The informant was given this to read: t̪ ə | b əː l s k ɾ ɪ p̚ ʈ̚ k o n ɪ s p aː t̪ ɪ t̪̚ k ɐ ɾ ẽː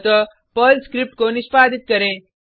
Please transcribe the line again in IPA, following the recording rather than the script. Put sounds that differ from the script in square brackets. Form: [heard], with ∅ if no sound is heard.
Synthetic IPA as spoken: t̪ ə | [p] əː l s k ɾ ɪ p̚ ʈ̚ k o n ɪ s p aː [d̪] ɪ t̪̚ k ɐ ɾ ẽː